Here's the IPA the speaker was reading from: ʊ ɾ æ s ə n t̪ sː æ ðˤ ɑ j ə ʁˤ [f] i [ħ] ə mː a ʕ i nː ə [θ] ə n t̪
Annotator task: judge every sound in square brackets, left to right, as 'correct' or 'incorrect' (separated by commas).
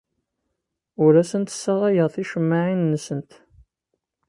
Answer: incorrect, incorrect, incorrect